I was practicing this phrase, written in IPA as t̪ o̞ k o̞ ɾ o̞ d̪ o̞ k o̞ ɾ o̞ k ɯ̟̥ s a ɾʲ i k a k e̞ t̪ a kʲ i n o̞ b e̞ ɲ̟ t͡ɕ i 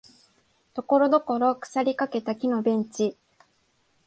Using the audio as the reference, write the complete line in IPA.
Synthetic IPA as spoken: t̪ o̞ k o̞ ɾ o̞ d̪ o̞ k o̞ ɾ o̞ k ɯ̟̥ s a ɾʲ i k a k e̞ t̪ a kʲ i n o̞ b ẽ̞ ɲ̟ t͡ɕ i